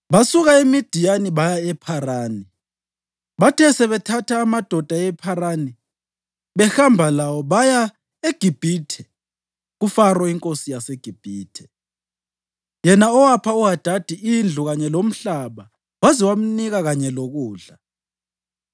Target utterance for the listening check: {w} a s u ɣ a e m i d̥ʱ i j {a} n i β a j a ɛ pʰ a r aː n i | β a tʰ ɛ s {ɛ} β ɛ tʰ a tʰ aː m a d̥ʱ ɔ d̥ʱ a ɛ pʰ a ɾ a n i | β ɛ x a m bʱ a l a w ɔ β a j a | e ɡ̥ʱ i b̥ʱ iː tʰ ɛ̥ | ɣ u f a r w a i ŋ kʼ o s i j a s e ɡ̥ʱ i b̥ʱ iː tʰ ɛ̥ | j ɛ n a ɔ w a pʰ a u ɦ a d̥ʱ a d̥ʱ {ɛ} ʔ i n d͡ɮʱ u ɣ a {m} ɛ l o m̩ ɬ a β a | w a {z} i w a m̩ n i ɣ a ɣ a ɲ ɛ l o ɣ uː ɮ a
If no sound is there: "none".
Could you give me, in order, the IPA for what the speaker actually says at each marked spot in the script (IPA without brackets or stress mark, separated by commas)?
β, a, ɛ, i, ɲ, z